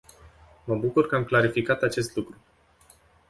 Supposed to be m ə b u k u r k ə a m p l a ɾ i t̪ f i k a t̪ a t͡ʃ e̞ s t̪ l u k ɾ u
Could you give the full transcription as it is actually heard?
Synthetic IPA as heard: m ə b u k u r k ə a m k l a ɾ i f i k a t̪ a t͡ʃ e̞ s t̪ l u k ɾ u